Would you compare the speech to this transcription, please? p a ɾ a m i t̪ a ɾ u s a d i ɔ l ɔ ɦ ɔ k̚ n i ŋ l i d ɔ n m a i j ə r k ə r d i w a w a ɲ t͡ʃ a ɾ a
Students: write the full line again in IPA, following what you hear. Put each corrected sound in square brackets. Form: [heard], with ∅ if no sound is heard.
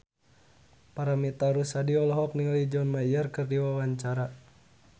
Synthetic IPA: p a ɾ a m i t̪ a ɾ u s a d i ɔ l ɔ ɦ ɔ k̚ n i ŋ l i [d͡ʒ] ɔ n m a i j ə r k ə r d i w a w a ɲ t͡ʃ a ɾ a